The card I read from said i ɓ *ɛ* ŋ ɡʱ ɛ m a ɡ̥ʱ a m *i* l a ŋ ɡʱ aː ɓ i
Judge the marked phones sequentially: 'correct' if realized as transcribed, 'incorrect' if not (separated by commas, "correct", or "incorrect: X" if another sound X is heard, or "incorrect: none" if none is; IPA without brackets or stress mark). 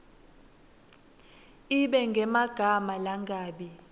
correct, incorrect: a